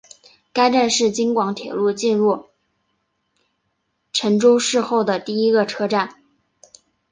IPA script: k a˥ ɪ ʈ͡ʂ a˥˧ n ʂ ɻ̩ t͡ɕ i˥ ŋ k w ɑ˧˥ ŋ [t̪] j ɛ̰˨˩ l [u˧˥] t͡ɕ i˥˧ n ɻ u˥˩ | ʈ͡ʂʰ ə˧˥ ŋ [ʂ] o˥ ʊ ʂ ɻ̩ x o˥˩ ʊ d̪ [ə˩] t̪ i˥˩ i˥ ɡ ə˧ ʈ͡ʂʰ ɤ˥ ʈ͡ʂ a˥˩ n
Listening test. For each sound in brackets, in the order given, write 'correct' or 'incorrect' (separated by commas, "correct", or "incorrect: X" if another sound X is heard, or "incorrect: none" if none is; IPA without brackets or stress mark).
incorrect: t̪ʰ, incorrect: u˥˧, incorrect: ʈ͡ʂ, correct